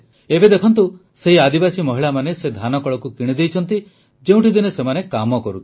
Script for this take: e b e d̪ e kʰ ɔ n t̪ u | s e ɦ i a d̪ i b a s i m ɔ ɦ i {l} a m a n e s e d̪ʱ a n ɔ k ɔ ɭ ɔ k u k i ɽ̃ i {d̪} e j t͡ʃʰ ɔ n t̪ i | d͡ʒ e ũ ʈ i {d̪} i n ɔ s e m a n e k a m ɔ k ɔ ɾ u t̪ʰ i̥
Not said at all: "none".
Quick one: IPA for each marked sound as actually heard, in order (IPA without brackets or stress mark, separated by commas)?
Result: ɭ, d̪, d̪